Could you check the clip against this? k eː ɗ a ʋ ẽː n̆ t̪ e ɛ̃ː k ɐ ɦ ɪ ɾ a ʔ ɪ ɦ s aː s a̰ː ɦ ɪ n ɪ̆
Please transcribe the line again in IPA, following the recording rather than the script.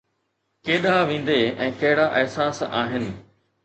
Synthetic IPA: k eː ɗ a ʋ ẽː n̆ d̪ e ɛ̃ː k ɐ ɦ ɪ ɽ a ʔ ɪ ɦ s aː s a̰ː ɦ ɪ n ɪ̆